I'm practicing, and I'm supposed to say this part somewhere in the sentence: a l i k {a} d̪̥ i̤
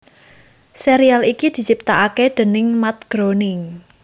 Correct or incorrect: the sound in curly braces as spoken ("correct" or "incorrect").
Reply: incorrect